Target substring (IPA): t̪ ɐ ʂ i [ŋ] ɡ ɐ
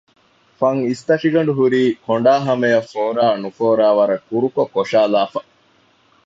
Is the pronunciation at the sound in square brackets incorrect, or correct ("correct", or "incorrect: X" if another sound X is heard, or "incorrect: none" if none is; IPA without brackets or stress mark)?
incorrect: none